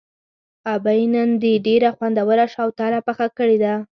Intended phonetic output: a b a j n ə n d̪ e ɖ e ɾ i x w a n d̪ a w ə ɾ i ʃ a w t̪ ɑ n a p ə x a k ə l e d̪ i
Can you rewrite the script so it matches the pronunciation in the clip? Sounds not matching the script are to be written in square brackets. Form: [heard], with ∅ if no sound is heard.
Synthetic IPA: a b a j n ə n d̪ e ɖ e ɾ [a] x w a n d̪ a w ə ɾ [a] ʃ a w t̪ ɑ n a p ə x a k ə [ɽ] e d̪ [a]